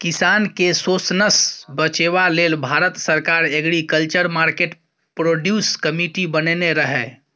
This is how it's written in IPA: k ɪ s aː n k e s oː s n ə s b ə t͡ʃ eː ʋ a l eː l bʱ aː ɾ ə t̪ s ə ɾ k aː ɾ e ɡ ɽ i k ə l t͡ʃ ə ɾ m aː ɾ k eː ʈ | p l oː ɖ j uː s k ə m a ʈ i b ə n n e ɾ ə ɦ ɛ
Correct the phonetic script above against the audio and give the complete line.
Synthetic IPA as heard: k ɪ s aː n k e s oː s n ə s b ə t͡ʃ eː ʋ a l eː l bʱ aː ɾ ə t̪ s ə ɾ k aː ɾ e ɡ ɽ i k ə l t͡ʃ ə ɾ m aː ɾ k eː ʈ | p ɾ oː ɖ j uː s k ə m i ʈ i b ə n n e ɾ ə ɦ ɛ